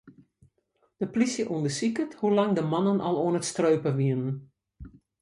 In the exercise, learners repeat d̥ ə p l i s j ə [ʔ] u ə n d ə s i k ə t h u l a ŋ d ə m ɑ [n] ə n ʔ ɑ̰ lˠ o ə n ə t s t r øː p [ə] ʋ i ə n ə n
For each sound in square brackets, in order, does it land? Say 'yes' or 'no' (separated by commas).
yes, yes, yes